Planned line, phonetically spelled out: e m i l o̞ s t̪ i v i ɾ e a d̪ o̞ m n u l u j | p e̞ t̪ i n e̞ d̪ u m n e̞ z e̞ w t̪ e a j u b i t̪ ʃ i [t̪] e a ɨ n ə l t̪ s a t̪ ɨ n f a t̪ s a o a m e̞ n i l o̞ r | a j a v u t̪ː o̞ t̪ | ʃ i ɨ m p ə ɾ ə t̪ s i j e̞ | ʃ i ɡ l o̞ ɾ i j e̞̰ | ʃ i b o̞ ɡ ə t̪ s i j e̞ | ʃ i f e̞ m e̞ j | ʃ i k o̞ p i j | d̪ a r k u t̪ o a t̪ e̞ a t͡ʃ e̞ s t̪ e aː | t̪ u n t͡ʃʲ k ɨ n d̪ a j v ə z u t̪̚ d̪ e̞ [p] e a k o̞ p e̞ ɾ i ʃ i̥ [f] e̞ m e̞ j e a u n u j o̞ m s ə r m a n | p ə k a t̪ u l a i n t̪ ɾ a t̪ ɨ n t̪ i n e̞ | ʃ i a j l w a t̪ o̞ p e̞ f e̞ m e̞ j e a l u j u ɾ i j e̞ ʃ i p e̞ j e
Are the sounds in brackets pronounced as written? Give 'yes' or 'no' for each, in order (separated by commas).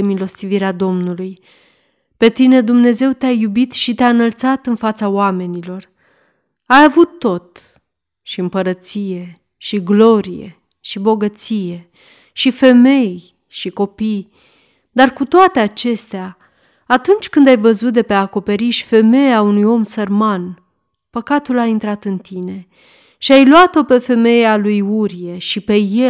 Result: yes, yes, yes